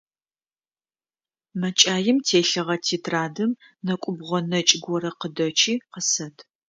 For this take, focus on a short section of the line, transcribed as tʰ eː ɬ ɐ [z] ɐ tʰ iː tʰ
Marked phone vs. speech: incorrect: ʁ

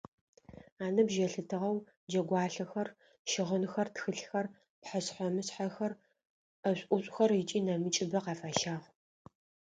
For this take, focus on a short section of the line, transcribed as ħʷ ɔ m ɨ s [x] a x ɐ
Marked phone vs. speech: incorrect: ħ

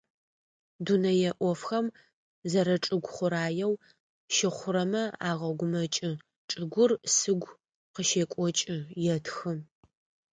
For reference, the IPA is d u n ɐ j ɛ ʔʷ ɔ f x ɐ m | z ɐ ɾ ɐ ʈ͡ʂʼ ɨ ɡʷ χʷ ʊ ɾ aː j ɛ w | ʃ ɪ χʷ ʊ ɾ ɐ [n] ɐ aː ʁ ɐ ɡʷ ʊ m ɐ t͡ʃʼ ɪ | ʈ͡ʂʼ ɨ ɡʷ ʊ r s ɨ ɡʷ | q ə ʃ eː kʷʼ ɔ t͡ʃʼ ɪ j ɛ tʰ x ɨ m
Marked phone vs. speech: incorrect: m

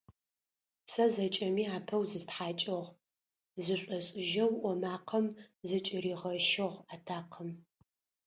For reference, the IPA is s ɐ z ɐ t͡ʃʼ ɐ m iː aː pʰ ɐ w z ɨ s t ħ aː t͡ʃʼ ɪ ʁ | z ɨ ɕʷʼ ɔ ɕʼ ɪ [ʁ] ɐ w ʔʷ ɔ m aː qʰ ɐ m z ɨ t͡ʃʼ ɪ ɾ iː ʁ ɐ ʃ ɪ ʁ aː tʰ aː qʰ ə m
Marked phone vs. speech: incorrect: ʒ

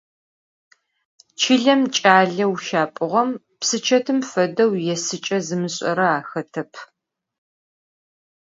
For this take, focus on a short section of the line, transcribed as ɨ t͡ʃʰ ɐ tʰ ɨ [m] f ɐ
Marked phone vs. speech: correct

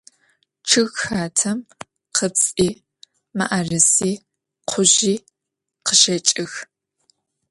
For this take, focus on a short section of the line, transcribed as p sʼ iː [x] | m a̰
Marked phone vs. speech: incorrect: none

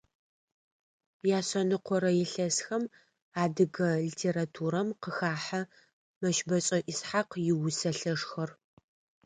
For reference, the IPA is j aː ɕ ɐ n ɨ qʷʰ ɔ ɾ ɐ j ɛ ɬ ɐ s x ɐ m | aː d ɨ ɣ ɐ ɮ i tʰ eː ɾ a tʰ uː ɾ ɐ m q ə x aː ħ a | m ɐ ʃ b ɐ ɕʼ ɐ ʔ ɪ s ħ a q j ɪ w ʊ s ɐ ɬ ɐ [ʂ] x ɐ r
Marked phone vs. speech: correct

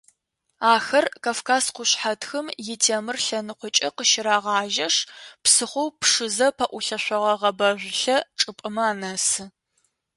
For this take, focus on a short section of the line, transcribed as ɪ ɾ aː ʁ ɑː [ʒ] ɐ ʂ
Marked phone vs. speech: correct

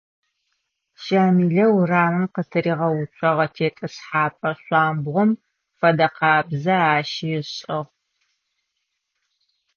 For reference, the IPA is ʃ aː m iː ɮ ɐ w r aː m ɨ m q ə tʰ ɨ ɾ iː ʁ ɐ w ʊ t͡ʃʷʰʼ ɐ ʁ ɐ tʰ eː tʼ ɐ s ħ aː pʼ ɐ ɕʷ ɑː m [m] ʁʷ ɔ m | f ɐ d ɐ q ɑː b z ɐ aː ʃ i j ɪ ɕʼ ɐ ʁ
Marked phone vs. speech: incorrect: b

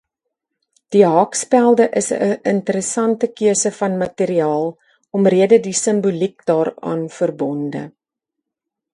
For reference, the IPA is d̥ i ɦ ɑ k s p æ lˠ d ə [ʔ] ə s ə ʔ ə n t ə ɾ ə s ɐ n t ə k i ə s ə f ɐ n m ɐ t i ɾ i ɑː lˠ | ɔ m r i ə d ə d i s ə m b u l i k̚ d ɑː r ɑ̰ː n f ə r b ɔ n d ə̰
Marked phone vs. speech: correct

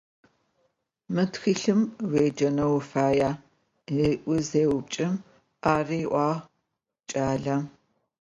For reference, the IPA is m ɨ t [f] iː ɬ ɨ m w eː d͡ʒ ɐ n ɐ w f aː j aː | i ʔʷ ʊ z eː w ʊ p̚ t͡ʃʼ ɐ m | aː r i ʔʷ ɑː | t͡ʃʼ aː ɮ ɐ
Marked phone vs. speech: incorrect: x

